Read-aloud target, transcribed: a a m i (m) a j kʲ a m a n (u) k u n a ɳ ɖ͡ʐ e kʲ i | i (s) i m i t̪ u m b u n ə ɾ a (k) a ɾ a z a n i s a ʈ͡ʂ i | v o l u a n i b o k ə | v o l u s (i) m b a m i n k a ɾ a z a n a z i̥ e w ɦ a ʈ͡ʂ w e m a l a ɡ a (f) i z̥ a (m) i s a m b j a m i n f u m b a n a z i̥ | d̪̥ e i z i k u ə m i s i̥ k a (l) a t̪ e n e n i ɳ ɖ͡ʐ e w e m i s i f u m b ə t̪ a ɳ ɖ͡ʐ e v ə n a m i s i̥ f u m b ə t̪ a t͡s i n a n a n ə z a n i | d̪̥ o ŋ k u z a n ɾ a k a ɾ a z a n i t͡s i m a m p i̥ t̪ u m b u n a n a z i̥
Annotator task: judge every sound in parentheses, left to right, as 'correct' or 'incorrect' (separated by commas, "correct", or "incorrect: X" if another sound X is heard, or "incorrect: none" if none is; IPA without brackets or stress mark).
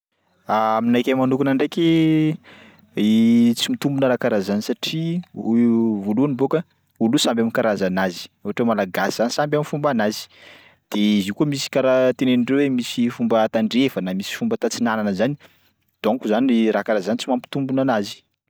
incorrect: n, correct, incorrect: t͡s, correct, incorrect: a, incorrect: s, incorrect: n, incorrect: ɾ